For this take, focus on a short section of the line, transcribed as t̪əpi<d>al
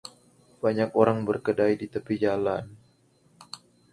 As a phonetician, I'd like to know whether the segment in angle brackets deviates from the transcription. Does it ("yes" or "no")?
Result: yes